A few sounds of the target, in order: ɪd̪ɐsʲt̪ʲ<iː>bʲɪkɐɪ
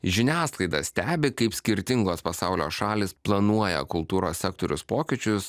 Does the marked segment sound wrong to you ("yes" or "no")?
yes